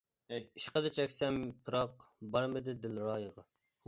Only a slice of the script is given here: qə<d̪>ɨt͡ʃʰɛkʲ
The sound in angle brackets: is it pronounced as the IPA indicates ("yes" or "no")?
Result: yes